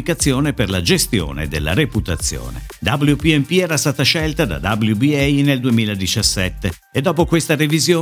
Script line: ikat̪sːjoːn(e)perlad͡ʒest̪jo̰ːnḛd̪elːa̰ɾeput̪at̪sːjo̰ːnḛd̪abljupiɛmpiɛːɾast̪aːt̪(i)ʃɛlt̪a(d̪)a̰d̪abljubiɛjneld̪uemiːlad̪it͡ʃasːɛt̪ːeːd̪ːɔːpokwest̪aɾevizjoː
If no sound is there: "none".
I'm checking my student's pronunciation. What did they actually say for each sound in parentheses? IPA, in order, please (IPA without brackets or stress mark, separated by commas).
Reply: e, a, d̪